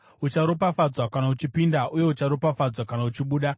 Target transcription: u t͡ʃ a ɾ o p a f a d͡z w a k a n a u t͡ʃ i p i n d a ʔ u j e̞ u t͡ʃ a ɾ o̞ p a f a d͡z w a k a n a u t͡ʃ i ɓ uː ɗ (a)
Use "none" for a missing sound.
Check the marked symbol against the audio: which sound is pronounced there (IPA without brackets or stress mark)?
a